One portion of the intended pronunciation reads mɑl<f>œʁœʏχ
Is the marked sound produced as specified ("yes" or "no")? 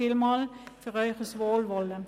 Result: yes